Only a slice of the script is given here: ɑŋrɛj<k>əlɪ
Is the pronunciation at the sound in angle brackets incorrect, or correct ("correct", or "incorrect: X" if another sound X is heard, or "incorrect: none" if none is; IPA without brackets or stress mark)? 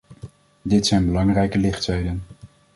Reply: correct